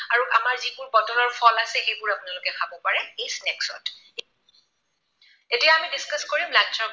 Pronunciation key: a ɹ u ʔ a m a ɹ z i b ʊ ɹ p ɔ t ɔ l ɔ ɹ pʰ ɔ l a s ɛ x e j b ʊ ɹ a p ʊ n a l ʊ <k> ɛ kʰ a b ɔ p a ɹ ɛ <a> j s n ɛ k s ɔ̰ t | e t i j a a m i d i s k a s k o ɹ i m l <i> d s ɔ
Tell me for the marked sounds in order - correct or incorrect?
correct, incorrect, incorrect

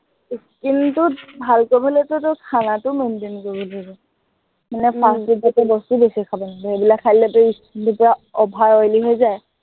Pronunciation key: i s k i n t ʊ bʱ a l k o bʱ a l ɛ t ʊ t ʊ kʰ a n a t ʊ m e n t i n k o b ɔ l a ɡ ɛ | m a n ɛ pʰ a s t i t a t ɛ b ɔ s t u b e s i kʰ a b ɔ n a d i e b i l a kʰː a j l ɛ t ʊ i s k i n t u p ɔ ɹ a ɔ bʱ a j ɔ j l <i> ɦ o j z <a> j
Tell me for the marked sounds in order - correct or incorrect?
correct, correct

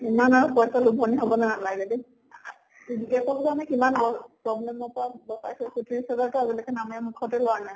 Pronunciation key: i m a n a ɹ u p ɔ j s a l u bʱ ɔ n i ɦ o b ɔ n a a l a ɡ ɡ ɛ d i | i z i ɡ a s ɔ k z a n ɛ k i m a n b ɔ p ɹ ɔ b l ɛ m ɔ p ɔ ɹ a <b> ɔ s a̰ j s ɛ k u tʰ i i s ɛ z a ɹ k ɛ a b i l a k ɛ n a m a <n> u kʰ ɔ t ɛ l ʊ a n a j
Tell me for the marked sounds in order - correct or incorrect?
correct, incorrect

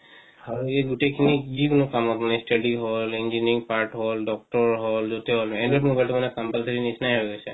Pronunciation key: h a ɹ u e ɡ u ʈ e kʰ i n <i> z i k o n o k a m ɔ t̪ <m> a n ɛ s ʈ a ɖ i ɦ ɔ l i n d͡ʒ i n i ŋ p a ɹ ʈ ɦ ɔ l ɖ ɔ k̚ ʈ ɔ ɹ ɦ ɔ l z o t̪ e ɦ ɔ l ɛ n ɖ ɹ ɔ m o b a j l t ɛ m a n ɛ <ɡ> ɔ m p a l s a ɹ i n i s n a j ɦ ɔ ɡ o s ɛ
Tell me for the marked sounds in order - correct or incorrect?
correct, correct, incorrect

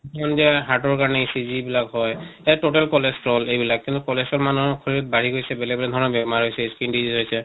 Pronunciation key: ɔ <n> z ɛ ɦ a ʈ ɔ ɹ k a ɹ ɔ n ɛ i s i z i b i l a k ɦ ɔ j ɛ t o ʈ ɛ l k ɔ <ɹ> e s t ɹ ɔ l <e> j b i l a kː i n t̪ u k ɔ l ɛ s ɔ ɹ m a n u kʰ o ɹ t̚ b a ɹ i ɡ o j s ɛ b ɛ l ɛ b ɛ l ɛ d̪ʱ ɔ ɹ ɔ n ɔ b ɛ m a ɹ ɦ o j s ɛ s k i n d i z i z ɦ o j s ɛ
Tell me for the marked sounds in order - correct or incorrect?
correct, incorrect, correct

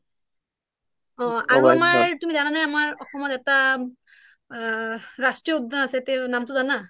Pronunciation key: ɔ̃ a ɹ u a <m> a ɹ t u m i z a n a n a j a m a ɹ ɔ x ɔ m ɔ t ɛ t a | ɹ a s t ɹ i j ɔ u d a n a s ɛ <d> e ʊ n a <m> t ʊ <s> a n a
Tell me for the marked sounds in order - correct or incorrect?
correct, incorrect, correct, incorrect

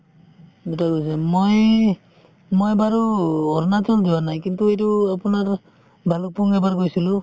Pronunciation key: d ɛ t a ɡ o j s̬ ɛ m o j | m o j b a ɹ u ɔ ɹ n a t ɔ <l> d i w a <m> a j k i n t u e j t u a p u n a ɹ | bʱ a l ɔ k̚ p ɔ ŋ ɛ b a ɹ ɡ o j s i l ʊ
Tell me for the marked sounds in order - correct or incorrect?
correct, incorrect

